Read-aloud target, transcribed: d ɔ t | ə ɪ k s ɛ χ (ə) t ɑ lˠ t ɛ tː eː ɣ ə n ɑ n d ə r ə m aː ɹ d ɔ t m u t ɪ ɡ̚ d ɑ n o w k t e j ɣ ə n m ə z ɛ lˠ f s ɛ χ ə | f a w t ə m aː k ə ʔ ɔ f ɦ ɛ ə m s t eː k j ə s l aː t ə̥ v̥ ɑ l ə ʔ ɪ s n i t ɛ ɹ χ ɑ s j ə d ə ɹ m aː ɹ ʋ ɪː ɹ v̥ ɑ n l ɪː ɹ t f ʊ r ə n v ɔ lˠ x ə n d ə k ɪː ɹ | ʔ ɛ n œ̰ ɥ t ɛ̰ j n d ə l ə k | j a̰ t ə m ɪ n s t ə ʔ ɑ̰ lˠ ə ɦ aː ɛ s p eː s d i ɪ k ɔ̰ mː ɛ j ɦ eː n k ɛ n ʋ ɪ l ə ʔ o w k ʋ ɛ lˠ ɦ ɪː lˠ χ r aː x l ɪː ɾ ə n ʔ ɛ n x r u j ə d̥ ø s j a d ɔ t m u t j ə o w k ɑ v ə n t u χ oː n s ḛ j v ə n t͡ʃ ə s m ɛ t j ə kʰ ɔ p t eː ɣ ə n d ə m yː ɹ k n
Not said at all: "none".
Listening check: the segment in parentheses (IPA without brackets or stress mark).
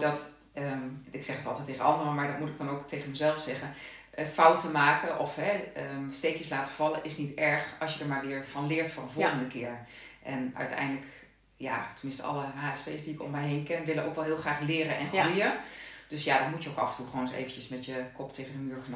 ə